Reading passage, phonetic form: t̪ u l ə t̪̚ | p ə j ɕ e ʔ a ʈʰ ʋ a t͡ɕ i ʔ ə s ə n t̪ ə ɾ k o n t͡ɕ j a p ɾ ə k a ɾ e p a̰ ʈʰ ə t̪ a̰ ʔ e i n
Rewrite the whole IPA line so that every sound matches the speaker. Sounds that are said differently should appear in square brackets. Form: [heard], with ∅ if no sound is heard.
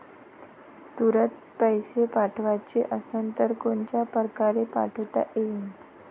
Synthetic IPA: t̪ u [ɾ] ə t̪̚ | p ə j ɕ e [p] a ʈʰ ʋ a t͡ɕ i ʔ ə s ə n t̪ ə ɾ k o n t͡ɕ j a p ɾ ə k a ɾ e p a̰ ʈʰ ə t̪ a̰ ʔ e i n